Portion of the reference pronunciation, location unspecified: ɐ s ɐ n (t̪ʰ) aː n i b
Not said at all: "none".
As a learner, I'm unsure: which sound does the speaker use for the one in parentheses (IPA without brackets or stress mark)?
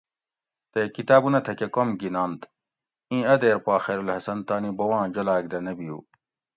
t̪